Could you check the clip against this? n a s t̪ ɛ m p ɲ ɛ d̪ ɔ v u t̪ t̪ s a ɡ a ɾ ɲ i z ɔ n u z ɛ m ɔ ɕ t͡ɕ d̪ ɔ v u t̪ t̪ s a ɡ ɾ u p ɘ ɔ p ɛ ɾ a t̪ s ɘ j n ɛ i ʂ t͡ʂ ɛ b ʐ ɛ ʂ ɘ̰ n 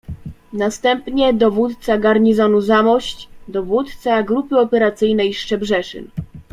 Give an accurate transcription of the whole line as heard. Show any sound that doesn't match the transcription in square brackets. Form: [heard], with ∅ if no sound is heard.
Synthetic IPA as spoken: n a s t̪ ɛ m p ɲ ɛ d̪ ɔ v u t̪ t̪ s a ɡ a ɾ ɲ i z ɔ n u z [a] m ɔ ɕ t͡ɕ d̪ ɔ v u t̪ t̪ s a ɡ ɾ u p ɘ ɔ p ɛ ɾ a t̪ s ɘ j n ɛ [j] ʂ t͡ʂ ɛ b ʐ ɛ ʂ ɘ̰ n

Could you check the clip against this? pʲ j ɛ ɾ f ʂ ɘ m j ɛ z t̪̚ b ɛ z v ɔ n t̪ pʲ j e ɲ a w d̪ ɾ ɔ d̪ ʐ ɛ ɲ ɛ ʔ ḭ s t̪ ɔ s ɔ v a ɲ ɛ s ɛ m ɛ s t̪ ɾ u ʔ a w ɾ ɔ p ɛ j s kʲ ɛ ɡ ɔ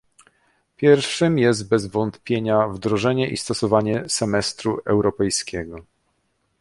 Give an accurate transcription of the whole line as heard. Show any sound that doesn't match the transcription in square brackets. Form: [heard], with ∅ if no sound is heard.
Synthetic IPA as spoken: pʲ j ɛ ɾ f ʂ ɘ m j ɛ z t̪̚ b ɛ z v ɔ n t̪ pʲ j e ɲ a [v] d̪ ɾ ɔ [∅] ʐ ɛ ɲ ɛ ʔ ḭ s t̪ ɔ s ɔ v a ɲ ɛ s ɛ m ɛ s t̪ ɾ u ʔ [ɛ] w ɾ ɔ p ɛ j s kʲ ɛ ɡ ɔ

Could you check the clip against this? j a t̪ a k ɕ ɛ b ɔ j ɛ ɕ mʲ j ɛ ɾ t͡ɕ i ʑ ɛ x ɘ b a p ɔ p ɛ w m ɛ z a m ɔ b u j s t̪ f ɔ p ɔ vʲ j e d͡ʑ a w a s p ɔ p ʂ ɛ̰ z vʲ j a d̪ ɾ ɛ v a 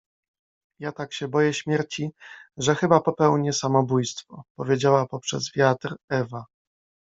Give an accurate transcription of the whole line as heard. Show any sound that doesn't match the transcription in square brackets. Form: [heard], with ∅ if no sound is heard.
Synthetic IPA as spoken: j a t̪ a k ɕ ɛ b ɔ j ɛ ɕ mʲ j ɛ ɾ t͡ɕ i [ʐ] ɛ x ɘ b a p ɔ p ɛ w [ɲ] ɛ [s] a m ɔ b u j s t̪ f ɔ p ɔ vʲ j e d͡ʑ a w a [∅] p ɔ p ʂ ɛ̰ z vʲ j a [t̪] ɾ ɛ v a

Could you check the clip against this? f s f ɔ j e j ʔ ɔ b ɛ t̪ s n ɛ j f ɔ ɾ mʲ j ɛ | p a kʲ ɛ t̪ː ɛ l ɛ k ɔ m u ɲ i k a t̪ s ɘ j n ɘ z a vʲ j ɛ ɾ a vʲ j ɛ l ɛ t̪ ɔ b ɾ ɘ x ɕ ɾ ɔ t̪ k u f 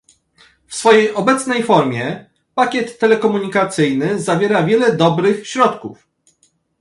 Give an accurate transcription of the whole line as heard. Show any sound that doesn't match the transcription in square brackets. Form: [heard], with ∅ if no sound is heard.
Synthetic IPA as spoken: f s f ɔ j e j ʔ ɔ b ɛ t̪ s n ɛ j f ɔ ɾ mʲ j ɛ | p a kʲ ɛ t̪ː ɛ l ɛ k ɔ m u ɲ i k a t̪ s ɘ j n ɘ z a vʲ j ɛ ɾ a vʲ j ɛ l ɛ [d̪] ɔ b ɾ ɘ x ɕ ɾ ɔ t̪ k u f

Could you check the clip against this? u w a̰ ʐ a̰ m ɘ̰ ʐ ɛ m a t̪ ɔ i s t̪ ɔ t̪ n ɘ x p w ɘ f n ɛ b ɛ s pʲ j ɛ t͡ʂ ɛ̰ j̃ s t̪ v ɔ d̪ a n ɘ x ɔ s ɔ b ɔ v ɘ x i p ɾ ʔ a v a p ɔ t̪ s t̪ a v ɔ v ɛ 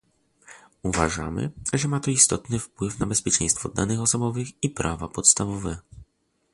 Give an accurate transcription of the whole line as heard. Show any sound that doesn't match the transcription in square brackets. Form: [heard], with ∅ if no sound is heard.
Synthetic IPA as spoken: u [v] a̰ ʐ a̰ m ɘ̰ ʐ ɛ m a t̪ ɔ i s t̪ ɔ t̪ n ɘ [f] p w ɘ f n [a] b ɛ s pʲ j ɛ t͡ʂ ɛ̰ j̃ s t̪ [f] ɔ d̪ a n ɘ x ɔ s ɔ b ɔ v ɘ x i p ɾ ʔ a v a p ɔ t̪ s t̪ a v ɔ v ɛ

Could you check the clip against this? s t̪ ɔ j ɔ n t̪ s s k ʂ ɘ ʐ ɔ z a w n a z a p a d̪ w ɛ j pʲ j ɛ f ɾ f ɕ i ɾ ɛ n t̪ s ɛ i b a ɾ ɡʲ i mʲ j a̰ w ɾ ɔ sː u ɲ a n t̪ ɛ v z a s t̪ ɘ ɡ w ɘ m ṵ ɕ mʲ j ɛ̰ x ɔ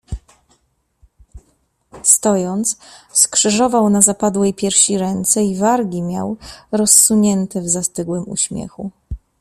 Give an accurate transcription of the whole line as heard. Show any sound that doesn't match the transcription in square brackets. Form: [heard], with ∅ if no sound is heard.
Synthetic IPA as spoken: s t̪ ɔ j ɔ n t̪ s s k ʂ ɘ ʐ ɔ [v] a w n a z a p a d̪ w ɛ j pʲ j ɛ [∅] ɾ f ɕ i ɾ ɛ n t̪ s ɛ i [v] a ɾ ɡʲ i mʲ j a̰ w ɾ ɔ sː u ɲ [ɛ] n t̪ ɛ v z a s t̪ ɘ ɡ w ɘ m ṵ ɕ mʲ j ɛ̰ x [u]

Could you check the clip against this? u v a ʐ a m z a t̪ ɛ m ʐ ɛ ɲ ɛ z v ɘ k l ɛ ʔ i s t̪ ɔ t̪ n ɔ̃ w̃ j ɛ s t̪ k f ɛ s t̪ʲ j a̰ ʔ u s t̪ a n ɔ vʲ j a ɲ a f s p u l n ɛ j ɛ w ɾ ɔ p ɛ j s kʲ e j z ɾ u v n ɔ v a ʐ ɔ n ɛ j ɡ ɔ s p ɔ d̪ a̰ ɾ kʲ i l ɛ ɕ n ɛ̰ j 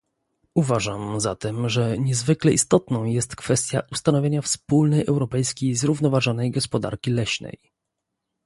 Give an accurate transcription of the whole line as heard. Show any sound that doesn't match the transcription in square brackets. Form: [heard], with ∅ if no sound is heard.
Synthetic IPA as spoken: u v a ʐ a m z a t̪ ɛ m ʐ ɛ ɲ ɛ z v ɘ k l ɛ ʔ i s t̪ ɔ t̪ n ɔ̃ w̃ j ɛ s t̪ k f ɛ s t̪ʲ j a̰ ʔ u s t̪ a n ɔ vʲ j [e] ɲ a f s p u l n ɛ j ɛ w ɾ ɔ p ɛ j s kʲ e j z ɾ u v n ɔ v a ʐ ɔ n ɛ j ɡ ɔ s p ɔ d̪ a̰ ɾ kʲ i l ɛ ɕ n ɛ̰ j

